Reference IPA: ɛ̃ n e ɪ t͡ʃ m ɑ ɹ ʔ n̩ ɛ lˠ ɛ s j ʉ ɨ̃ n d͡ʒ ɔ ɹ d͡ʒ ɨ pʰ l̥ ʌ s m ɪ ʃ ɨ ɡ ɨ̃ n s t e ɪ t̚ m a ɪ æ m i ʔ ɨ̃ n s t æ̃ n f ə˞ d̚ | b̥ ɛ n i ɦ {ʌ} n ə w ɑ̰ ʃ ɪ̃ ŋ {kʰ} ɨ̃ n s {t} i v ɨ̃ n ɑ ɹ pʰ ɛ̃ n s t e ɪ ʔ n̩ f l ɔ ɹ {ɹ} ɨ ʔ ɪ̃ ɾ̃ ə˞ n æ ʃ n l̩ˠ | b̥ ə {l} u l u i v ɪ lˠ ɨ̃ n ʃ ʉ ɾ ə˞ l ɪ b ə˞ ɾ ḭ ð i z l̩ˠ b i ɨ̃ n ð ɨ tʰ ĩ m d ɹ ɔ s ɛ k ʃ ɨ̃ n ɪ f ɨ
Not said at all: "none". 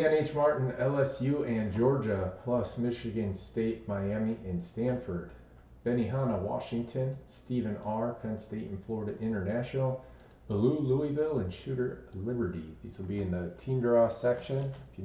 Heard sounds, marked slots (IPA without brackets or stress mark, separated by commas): ɑ, tʰ, t, ɾ, l